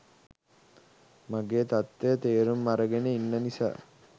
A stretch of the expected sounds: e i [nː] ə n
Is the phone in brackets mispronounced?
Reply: no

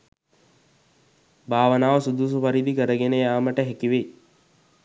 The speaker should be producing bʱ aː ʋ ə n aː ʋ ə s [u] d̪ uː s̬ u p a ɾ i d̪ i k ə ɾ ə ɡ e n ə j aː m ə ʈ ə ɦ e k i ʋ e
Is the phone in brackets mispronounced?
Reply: no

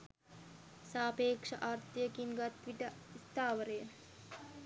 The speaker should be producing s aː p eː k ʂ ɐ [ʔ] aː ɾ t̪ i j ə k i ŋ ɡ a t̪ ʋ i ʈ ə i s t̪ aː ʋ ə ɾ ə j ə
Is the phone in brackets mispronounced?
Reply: no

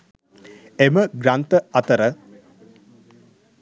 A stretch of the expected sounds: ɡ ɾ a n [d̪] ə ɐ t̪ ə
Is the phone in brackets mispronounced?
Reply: yes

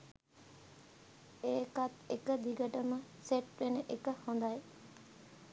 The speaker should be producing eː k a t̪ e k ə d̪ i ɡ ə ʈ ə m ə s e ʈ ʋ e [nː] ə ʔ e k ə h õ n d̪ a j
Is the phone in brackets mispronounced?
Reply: yes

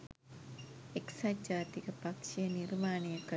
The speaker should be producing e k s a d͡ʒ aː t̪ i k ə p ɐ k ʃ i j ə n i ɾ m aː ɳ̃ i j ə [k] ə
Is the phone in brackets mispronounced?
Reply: no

